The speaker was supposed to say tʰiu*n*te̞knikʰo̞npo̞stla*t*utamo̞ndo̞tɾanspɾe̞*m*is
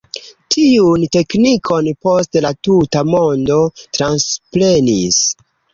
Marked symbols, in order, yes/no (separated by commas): yes, yes, no